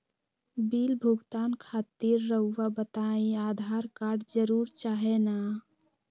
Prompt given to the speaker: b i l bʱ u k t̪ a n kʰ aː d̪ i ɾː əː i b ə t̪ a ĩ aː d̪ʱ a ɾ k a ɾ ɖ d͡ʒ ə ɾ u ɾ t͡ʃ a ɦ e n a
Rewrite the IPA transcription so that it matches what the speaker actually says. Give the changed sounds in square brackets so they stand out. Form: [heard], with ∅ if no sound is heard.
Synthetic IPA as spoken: b i l bʱ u [ɡ] t̪ a n kʰ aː [t̪] i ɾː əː [a] b ə t̪ a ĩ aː d̪ʱ a ɾ k a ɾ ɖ d͡ʒ ə ɾ u ɾ t͡ʃ a ɦ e n a